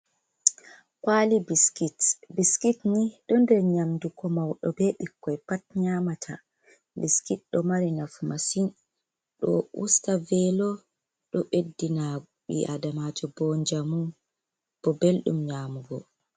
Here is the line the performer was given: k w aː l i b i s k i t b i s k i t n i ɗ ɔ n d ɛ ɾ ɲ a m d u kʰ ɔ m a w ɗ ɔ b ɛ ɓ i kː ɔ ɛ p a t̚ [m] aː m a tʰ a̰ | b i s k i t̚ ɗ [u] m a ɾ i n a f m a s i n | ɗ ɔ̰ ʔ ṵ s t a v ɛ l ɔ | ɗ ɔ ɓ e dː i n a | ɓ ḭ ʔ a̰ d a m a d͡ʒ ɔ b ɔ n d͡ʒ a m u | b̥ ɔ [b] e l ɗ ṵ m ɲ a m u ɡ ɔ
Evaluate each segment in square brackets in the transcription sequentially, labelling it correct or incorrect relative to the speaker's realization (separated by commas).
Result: incorrect, incorrect, correct